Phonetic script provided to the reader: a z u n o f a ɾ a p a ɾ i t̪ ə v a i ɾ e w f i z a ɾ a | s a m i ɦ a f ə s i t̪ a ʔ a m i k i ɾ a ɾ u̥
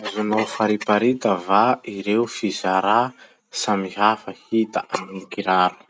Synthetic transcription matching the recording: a z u n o f a ɾ i p a ɾ i t̪ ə v a i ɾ e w f i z a ɾ a | s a m i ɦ a f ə h i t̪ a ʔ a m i k i ɾ a ɾ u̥